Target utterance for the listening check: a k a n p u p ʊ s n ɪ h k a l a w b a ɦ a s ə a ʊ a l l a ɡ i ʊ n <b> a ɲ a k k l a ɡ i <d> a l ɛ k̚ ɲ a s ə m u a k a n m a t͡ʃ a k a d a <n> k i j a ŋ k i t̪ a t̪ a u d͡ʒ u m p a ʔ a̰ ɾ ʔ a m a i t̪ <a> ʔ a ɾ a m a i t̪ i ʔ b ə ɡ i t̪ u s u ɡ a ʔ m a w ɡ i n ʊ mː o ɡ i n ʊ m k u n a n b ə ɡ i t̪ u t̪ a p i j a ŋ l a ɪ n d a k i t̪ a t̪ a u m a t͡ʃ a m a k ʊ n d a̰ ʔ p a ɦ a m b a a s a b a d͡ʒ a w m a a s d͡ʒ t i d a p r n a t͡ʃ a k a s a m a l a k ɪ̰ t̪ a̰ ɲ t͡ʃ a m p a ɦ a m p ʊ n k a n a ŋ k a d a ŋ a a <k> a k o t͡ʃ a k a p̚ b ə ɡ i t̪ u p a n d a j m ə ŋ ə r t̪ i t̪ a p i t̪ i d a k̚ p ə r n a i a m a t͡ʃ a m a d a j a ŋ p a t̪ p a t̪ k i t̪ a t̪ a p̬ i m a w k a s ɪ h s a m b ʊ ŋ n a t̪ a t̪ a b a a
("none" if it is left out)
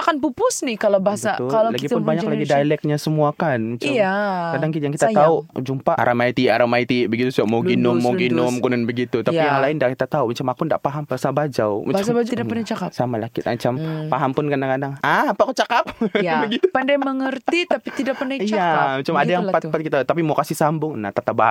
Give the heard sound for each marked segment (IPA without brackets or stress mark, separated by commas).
b, d, ŋ, i, p